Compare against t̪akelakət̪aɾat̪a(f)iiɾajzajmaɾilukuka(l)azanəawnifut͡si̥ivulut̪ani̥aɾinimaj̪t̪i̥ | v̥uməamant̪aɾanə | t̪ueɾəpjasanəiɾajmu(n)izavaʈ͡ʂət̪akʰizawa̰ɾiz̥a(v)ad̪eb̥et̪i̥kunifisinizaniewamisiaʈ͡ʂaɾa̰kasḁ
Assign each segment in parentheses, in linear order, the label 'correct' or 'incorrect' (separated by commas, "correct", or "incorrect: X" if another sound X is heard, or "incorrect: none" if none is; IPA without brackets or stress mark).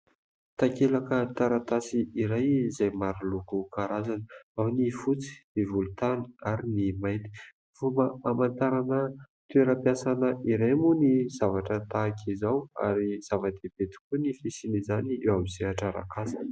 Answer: incorrect: s, incorrect: ɾ, correct, correct